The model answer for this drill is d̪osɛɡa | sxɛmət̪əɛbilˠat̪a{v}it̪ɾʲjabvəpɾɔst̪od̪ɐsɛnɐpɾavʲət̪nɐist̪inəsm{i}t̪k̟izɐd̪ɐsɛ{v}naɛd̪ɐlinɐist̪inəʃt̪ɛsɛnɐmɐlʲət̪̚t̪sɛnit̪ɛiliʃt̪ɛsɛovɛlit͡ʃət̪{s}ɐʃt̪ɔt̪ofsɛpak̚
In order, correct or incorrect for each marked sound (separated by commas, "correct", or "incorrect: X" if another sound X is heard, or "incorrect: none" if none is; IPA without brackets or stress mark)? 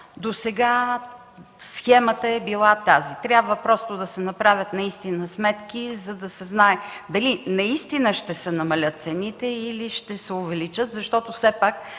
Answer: incorrect: z, incorrect: ɛ, incorrect: z, incorrect: z